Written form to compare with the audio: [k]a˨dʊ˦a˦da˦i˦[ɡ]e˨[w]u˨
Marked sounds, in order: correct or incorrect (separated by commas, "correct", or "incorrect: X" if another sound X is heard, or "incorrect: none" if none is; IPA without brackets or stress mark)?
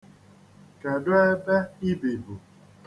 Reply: correct, incorrect: b, incorrect: b